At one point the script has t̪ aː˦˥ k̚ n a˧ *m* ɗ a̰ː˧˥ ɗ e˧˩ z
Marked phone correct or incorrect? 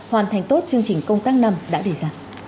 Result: correct